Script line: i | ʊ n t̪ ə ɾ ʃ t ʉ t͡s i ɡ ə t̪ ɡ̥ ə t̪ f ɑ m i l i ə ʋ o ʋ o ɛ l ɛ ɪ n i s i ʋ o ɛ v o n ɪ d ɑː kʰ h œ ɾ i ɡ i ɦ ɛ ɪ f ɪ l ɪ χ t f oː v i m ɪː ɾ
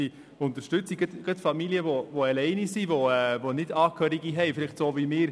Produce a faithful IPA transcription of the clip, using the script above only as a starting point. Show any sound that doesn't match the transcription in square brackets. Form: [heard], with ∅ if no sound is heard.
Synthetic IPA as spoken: i | ʊ n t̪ ə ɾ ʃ t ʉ t͡s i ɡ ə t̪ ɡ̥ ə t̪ f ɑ m i l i ə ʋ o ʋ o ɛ l ɛ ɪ n i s i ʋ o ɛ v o n ɪ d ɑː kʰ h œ ɾ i ɡ i ɦ ɛ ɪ f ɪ l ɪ χ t [s] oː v i m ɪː ɾ